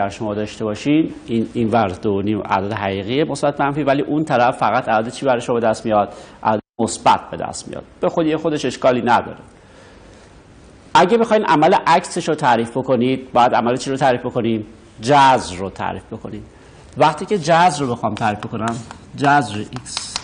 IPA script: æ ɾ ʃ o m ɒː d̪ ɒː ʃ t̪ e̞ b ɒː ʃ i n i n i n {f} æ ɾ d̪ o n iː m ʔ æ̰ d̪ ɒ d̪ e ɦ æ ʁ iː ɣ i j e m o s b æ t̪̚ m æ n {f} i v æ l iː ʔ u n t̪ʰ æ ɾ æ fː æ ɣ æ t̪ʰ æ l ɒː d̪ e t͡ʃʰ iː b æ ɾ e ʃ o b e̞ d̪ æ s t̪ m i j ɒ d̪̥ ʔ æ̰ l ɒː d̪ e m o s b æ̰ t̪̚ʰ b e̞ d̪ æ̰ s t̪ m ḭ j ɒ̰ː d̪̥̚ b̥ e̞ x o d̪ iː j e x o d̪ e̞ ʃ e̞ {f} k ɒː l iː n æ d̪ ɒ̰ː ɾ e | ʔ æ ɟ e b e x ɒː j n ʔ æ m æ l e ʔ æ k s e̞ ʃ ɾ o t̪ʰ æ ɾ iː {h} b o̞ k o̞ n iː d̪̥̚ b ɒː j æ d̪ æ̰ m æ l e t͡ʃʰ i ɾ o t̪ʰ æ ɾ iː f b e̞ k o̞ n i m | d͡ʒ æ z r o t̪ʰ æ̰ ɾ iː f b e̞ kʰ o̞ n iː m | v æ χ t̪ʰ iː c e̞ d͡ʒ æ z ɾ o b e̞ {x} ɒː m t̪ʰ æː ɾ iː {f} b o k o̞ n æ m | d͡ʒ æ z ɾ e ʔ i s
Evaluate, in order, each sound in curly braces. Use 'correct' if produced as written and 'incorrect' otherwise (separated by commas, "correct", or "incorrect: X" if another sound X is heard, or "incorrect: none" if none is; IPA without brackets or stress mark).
incorrect: v, correct, incorrect: ʃ, incorrect: f, correct, correct